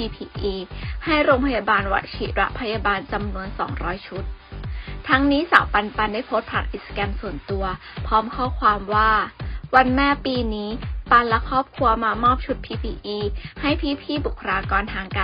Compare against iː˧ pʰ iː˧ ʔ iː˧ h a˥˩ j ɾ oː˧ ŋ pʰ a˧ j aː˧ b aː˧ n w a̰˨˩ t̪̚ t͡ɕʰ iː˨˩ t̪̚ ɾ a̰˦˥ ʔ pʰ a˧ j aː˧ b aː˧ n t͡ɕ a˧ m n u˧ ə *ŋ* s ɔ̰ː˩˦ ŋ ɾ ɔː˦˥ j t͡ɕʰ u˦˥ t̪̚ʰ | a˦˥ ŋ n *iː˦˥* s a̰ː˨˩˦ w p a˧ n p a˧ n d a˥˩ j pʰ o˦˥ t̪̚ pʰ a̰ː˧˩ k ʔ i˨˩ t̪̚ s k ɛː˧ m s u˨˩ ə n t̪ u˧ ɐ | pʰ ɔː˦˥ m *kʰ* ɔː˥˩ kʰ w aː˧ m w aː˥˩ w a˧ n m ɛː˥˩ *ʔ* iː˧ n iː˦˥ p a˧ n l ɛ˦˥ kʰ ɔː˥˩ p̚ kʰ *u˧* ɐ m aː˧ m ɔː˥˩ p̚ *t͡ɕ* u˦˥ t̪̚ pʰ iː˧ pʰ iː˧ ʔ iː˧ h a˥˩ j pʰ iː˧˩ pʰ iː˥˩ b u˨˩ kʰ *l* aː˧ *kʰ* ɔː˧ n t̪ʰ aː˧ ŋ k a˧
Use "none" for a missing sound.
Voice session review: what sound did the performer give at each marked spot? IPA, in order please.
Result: n, iː˦˥, kʰ, p, u˧, t͡ɕʰ, ɾ, k

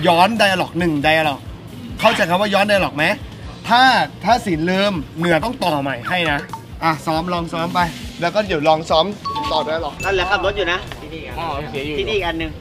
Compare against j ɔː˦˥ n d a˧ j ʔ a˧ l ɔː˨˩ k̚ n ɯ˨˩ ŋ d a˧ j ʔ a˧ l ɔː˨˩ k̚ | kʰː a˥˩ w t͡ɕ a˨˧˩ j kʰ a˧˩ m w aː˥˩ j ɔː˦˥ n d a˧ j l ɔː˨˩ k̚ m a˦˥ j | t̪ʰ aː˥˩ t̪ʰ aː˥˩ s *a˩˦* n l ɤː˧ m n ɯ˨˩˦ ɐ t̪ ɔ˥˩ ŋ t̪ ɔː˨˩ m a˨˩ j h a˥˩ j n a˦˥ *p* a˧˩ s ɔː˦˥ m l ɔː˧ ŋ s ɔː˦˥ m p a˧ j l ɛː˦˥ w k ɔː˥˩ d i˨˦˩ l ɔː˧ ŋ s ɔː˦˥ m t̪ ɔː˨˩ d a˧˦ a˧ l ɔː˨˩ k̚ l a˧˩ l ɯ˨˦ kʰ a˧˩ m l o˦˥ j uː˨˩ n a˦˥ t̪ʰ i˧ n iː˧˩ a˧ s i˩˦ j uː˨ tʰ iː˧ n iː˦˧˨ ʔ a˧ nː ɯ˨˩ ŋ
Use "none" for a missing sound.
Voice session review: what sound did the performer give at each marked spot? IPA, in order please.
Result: i˩˦, ʔ

